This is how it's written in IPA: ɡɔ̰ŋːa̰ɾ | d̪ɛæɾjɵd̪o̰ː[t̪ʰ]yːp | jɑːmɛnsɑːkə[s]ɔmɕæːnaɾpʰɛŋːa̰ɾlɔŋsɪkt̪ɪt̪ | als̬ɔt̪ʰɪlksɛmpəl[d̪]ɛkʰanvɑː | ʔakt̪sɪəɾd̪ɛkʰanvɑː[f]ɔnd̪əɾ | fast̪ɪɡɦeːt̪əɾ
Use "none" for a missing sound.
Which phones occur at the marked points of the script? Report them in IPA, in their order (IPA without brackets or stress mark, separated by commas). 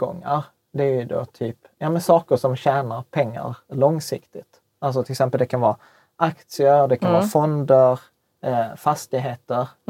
t̪ʰ, ʂ, d̪, f